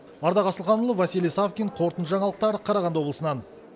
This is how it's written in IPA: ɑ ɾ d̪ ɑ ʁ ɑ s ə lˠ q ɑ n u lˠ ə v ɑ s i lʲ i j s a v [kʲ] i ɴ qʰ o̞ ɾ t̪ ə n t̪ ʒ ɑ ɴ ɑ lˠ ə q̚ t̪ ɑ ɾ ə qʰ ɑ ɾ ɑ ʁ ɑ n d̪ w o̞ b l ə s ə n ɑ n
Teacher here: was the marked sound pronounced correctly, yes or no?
yes